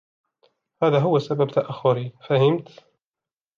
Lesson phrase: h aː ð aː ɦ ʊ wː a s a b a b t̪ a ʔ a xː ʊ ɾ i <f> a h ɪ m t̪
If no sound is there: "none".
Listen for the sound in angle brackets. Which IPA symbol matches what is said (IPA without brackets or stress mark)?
f